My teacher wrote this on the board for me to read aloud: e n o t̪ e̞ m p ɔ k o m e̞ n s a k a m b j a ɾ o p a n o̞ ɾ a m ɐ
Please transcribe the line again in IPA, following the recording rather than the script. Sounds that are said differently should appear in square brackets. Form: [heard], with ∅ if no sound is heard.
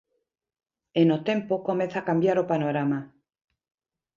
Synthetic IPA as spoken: e n o t̪ e̞ m p [o] k o m e̞ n [θ] a k a m b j a ɾ o p a n o̞ ɾ a m [a]